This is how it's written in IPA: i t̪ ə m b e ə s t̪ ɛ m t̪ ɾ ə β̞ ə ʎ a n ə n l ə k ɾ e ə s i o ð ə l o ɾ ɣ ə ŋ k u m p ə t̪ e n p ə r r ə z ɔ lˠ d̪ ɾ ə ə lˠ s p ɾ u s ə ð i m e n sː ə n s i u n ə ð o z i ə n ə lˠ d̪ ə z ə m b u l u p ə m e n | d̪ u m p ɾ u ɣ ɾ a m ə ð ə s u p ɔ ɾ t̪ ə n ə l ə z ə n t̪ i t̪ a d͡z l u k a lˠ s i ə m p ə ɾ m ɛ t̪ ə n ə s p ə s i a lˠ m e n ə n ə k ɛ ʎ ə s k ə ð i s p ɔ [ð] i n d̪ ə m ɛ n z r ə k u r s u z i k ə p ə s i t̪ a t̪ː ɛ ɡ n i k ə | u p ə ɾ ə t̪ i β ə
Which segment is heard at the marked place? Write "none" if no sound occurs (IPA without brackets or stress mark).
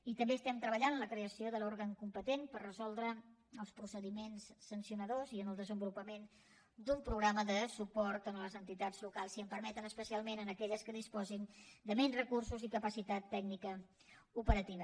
z